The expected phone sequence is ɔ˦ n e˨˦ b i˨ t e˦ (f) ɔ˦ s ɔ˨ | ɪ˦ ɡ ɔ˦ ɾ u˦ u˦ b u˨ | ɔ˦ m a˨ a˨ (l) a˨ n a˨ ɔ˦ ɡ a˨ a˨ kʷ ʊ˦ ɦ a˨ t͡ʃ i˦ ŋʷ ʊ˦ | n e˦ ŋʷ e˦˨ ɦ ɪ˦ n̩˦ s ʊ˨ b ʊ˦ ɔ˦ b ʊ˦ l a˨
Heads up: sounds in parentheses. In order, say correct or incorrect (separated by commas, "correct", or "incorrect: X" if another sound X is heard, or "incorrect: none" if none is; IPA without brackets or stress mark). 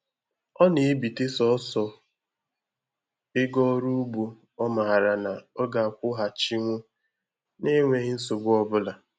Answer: incorrect: s, incorrect: ɾ